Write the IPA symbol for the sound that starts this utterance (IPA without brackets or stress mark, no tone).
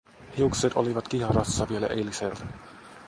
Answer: h